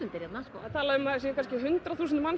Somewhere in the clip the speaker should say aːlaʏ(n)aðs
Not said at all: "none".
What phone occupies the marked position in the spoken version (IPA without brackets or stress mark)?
m